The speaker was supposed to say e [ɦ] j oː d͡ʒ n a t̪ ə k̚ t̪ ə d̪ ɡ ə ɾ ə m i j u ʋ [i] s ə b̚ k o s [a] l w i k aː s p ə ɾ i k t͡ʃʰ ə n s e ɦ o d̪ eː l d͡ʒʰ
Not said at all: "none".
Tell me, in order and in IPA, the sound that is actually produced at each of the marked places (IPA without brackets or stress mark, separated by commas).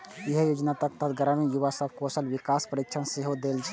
ɦ, a, ə